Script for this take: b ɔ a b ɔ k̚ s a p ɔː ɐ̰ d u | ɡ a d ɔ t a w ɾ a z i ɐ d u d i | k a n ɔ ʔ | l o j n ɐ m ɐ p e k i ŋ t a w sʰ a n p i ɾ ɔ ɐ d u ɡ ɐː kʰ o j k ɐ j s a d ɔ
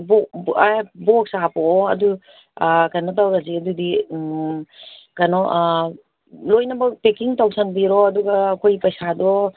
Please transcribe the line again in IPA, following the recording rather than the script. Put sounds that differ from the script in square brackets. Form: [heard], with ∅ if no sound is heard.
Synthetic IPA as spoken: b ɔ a b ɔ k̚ s a p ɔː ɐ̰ d u | [k] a [n] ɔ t a w ɾ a z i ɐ d u d i | k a n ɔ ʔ | l o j n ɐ [b] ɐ p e k i ŋ t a w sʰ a n [b] i ɾ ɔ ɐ d u ɡ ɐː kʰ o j [p] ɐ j s a d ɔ